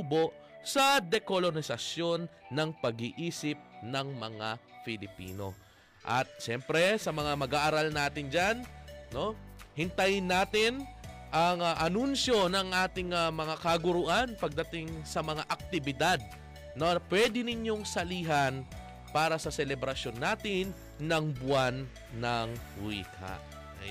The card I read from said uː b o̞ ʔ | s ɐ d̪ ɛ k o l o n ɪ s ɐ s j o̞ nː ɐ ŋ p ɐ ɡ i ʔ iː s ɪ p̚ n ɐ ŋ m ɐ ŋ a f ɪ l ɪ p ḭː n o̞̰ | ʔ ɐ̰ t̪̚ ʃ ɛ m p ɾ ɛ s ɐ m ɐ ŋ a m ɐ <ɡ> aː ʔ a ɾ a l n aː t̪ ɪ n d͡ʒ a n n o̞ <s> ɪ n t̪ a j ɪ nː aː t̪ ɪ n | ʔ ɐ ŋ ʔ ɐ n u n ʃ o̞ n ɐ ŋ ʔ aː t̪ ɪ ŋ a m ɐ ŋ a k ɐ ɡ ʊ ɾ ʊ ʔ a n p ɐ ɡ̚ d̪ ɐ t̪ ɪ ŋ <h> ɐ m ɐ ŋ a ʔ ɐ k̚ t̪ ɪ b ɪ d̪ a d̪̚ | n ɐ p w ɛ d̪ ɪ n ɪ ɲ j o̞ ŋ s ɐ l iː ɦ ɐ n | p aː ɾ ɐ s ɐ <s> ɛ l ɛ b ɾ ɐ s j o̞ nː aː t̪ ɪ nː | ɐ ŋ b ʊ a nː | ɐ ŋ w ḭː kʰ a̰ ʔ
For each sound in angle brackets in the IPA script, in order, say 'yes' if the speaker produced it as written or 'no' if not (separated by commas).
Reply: yes, no, no, yes